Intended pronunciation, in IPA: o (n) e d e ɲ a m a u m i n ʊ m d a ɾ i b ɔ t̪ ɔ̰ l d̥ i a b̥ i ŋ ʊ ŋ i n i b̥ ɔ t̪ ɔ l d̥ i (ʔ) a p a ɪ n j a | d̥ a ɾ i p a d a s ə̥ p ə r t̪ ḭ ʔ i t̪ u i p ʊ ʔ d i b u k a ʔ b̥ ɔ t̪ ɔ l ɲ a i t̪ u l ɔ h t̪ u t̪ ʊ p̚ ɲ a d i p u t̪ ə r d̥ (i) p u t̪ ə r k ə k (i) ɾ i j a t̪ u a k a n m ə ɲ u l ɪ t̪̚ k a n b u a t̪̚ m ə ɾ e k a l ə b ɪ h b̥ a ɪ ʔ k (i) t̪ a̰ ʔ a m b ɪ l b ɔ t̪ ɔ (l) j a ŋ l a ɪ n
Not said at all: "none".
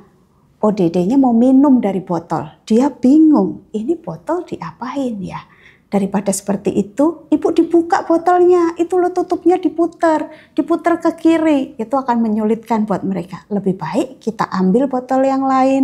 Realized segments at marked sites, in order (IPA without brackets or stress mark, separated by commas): d, ʔ, i, i, i, l